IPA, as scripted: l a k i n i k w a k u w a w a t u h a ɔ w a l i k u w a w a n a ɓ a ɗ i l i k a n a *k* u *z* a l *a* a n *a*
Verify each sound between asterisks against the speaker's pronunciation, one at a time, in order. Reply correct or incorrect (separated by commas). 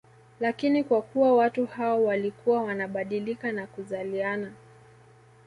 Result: correct, correct, incorrect, correct